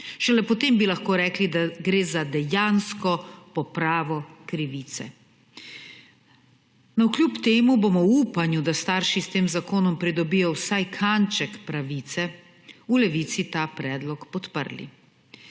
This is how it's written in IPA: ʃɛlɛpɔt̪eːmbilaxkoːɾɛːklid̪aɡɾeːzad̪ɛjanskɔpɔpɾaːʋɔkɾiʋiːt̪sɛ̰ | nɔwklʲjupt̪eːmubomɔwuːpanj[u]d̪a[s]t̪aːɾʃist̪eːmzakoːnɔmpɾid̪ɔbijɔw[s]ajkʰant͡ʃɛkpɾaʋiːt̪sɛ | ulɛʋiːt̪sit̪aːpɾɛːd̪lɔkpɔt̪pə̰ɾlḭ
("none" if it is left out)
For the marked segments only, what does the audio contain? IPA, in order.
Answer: u, s, s

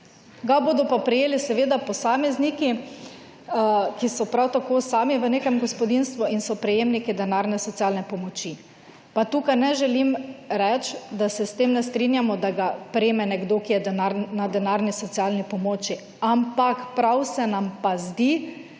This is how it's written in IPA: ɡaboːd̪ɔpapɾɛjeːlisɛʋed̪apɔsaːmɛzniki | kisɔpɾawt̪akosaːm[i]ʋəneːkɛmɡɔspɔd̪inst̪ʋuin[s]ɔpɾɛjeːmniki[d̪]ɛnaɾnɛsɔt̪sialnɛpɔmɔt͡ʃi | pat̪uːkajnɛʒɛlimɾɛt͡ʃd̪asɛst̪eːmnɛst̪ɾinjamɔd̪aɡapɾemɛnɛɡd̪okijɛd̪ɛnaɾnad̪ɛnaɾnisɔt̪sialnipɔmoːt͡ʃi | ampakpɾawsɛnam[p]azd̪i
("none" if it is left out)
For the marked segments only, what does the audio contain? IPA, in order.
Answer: i, s, d̪, p

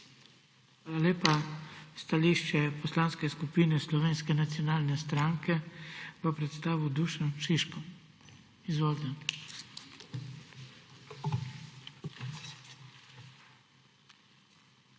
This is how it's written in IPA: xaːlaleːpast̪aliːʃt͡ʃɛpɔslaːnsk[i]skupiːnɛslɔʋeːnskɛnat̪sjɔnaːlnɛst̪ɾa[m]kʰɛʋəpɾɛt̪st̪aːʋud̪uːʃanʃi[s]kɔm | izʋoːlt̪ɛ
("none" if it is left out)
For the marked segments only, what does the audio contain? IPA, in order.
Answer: ɛ, ŋ, ʃ

